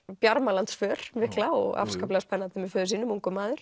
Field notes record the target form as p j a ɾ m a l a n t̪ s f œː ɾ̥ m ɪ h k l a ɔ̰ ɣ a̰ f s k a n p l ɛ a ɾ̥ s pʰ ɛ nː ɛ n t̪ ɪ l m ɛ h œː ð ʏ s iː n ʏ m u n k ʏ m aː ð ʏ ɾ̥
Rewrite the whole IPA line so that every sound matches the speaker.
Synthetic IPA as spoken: p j a ɾ m a l a n t̪ s f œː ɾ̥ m ɪ h k l a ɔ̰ ɣ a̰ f s k a p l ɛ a s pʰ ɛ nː a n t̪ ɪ m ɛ f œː ð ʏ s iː n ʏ m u ŋ k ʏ m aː ð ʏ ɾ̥